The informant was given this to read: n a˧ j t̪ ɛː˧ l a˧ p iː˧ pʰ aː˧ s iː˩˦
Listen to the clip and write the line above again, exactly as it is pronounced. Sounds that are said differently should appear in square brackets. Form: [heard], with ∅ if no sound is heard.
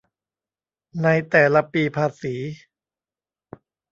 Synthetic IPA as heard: n a˧ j t̪ [ɛː˨˩] l a˧ p iː˧ pʰ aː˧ s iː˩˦